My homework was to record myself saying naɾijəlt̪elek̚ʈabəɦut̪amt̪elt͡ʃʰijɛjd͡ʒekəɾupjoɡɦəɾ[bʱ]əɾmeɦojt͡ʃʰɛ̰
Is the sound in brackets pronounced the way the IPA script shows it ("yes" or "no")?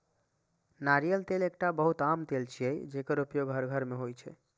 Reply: no